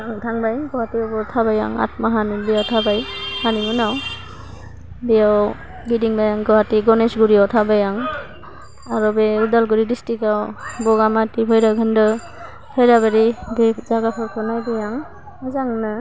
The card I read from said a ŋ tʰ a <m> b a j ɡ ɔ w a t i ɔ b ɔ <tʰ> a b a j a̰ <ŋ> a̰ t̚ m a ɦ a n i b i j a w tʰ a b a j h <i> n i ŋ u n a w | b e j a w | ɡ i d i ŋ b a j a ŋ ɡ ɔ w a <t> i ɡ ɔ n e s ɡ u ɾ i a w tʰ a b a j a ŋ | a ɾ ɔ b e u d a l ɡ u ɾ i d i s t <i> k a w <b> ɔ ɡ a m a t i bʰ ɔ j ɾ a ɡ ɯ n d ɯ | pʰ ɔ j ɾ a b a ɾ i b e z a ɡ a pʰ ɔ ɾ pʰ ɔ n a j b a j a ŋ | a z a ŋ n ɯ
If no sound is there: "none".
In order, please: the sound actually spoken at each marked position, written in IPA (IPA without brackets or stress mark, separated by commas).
ŋ, tʰ, ŋ, a, t, i, b